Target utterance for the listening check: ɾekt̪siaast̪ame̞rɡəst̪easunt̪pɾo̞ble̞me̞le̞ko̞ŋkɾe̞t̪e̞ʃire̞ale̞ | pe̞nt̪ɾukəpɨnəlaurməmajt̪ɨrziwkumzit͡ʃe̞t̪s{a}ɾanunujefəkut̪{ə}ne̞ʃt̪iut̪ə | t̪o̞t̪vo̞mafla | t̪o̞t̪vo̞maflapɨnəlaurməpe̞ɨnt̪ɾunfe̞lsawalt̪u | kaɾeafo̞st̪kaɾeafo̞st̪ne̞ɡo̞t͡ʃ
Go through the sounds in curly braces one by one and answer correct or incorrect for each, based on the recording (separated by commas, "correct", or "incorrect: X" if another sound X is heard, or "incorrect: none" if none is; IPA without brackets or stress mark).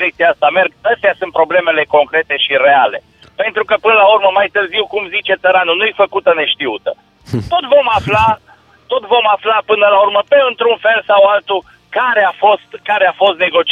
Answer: incorrect: ə, correct